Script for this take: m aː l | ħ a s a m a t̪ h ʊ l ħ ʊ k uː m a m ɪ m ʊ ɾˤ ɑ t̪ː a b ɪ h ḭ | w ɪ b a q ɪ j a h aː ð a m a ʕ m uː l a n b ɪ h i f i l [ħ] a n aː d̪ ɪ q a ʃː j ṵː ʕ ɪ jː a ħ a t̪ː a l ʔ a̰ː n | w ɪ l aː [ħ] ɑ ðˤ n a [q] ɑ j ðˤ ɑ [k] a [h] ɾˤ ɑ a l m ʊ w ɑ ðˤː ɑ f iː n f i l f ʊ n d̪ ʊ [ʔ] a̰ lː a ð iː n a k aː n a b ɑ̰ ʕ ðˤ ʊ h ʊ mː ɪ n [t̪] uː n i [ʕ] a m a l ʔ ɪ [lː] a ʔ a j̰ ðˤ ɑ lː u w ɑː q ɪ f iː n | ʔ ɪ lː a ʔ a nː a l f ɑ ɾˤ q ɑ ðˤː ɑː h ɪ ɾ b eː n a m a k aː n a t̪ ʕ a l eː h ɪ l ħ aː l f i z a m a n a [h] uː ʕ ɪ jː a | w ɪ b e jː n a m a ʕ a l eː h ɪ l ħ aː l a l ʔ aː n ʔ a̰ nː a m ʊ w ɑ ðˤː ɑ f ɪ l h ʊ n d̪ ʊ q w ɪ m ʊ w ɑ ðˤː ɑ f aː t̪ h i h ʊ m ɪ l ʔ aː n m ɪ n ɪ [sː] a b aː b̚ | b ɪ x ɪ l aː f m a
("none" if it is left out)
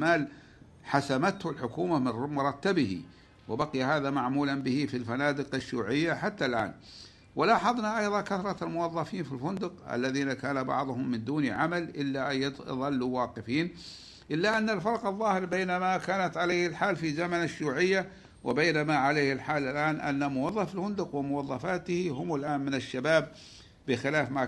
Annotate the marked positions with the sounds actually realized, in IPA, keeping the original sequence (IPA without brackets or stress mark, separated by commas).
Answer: f, ħ, ʔ, k, θ, q, d̪, ʕ, lː, ʃ, ʃː